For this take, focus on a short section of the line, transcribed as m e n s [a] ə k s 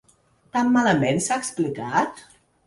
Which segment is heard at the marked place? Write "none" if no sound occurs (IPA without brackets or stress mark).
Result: a